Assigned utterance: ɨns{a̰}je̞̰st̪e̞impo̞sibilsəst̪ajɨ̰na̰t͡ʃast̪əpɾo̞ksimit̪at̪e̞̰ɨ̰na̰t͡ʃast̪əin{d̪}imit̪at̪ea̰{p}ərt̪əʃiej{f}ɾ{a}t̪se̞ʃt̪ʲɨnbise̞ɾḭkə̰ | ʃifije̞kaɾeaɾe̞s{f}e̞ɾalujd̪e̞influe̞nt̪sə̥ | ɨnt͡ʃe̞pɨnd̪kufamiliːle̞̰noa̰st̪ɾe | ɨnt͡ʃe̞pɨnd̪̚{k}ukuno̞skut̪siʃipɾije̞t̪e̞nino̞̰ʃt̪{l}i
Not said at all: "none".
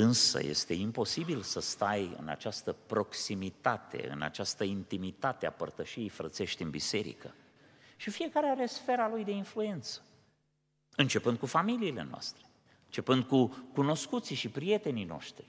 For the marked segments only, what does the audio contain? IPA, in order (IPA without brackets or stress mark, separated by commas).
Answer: ə̰, t̪, p, f, ə, f, k, ɾ